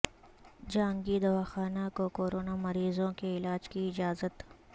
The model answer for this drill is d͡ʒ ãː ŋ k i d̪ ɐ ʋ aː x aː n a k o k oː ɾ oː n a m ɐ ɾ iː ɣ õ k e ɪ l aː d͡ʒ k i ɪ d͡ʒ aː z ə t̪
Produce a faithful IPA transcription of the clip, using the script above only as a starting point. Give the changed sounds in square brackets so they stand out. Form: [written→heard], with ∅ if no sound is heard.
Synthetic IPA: d͡ʒ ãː ŋ [k→ɡ] i d̪ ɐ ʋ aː x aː n a k o k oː ɾ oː n a m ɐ ɾ iː [ɣ→z] õ k e ɪ l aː d͡ʒ k i ɪ d͡ʒ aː z ə t̪